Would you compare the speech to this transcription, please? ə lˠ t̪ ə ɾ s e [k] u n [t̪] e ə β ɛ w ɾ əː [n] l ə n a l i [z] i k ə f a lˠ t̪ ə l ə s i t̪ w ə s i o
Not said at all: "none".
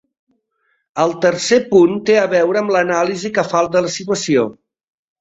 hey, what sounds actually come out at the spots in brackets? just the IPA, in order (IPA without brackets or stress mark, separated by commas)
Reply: p, t̪, m, z